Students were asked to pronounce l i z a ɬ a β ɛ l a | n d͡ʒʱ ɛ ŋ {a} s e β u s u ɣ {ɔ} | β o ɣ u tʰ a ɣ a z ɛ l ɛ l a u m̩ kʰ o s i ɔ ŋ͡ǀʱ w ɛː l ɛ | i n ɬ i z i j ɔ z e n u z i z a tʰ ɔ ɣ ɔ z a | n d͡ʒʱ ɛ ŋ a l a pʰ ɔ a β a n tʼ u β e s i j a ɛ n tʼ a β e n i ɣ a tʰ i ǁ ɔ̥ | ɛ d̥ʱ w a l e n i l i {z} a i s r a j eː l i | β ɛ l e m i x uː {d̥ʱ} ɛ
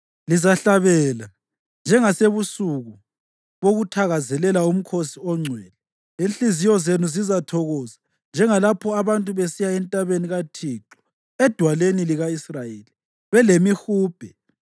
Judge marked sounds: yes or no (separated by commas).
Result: yes, no, no, no